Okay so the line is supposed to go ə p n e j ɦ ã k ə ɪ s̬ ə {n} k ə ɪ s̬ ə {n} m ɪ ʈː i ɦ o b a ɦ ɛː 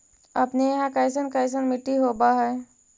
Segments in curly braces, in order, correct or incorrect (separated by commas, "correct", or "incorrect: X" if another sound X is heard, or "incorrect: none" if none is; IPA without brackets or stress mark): correct, correct